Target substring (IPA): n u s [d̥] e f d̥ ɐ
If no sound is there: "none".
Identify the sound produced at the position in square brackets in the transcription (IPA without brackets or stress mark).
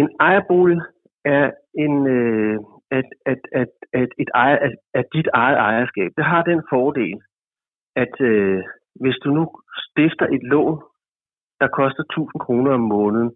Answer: d̥